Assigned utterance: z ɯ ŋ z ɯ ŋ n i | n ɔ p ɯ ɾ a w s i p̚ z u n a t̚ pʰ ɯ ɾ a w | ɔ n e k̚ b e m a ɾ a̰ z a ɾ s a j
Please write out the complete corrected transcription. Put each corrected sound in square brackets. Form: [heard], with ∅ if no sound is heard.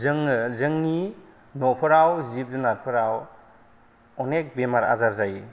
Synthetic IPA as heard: z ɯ ŋ z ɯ ŋ n i | n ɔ [pʰ] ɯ ɾ a w [z] i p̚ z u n a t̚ pʰ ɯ ɾ a w | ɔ n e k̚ b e m a ɾ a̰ z a ɾ [z] a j

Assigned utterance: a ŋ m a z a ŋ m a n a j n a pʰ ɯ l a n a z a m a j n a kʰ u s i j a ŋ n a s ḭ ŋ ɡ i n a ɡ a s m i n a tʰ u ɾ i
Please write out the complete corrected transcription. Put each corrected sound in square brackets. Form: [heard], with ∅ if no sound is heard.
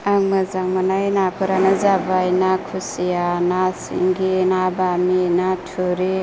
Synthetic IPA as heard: a ŋ m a z a ŋ m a n a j n a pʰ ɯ [ɾ] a n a z a [b] a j n a kʰ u s i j a [∅] n a s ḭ ŋ ɡ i n a [b] a [∅] m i n a tʰ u ɾ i

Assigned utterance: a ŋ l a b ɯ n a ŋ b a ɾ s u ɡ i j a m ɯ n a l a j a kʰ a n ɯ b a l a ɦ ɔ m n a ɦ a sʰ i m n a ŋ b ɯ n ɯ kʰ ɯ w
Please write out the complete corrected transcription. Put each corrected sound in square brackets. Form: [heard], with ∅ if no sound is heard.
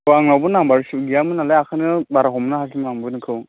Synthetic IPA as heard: a ŋ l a b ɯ n a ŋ b a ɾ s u ɡ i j a m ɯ n a l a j a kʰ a n ɯ b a [ɾ] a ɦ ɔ m n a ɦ a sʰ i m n a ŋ b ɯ n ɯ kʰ ɯ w

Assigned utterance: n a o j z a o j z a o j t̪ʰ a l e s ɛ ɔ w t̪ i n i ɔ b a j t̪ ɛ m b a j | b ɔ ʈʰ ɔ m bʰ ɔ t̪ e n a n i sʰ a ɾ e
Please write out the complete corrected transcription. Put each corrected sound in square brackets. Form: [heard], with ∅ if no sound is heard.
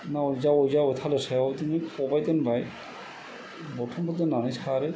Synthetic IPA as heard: n a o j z a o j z a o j t̪ʰ a l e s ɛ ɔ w t̪ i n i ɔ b a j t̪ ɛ [n] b a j | b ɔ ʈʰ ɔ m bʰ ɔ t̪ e n a n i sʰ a ɾ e

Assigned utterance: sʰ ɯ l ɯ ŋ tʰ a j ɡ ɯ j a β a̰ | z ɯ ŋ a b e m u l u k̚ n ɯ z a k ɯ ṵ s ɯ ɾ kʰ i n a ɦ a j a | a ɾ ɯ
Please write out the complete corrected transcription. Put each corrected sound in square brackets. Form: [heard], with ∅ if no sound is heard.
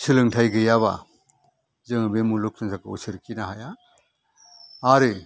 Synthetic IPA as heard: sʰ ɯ l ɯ ŋ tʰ a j ɡ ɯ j a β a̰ | z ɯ ŋ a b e m u l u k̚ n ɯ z a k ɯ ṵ s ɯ ɾ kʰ i n a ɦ a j a | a ɾ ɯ

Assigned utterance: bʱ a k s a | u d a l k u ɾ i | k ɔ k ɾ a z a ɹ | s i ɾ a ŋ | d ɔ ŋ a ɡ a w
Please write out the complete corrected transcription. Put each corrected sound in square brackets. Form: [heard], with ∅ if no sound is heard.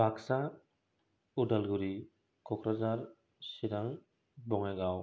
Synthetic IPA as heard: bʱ a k s a | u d a l [ɡ] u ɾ i | k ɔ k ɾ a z a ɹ | s i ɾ a ŋ | [b] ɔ ŋ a ɡ a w

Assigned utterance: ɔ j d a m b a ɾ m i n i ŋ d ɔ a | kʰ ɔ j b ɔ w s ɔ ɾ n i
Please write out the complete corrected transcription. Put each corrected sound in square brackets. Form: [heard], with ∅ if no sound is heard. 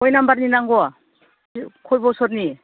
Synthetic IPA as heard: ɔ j [n] a m b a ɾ [n] i n [a] ŋ [ɡ] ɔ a | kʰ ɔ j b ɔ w s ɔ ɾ n i

